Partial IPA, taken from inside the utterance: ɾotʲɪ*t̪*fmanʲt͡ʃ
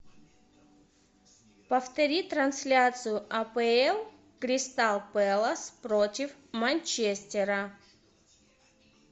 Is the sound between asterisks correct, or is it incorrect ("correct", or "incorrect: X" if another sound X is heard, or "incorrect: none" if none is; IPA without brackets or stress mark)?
incorrect: none